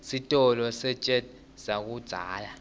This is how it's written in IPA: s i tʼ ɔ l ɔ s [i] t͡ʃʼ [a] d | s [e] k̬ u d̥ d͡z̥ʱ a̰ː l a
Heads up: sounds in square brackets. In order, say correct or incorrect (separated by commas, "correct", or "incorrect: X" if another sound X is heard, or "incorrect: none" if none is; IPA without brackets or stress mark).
incorrect: ɛ, incorrect: ɛ, incorrect: a